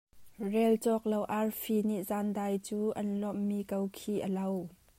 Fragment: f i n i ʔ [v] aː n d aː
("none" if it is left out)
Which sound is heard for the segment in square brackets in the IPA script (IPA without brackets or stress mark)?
z